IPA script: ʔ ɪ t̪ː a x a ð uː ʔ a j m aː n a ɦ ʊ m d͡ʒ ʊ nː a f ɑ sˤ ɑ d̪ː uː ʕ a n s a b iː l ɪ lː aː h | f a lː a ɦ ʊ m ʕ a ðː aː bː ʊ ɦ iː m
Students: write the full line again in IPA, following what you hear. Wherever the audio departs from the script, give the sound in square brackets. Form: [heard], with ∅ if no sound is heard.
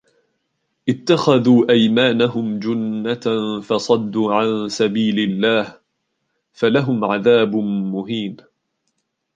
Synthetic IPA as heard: ʔ ɪ t̪ː a x a ð uː ʔ a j m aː n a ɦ ʊ m d͡ʒ ʊ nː a f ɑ sˤ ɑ d̪ː uː ʕ a n s a b iː l ɪ lː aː h | f a [l] a ɦ ʊ m ʕ a [ð] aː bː ʊ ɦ iː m